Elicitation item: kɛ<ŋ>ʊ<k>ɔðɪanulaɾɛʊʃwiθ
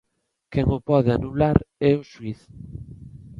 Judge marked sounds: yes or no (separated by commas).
yes, no